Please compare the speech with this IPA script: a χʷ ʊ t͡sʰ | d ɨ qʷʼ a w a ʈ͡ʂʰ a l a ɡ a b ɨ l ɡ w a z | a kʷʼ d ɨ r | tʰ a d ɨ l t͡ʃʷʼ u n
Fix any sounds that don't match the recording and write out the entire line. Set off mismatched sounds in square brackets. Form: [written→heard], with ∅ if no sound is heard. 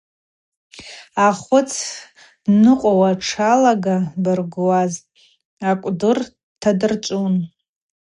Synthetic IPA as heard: a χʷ ʊ t͡sʰ | [d→n] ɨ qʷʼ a w a ʈ͡ʂʰ a l a ɡ a b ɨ [l→r] ɡ w a z | a kʷʼ d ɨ r | tʰ a d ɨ [l→r] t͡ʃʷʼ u n